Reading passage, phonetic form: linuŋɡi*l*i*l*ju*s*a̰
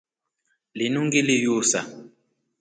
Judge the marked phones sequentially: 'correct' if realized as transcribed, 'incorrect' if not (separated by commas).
correct, incorrect, correct